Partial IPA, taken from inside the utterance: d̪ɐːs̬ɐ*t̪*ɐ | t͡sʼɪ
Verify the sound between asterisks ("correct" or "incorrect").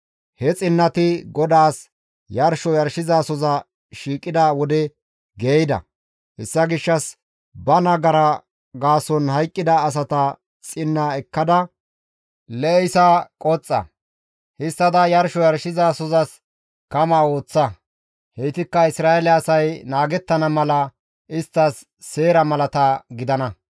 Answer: correct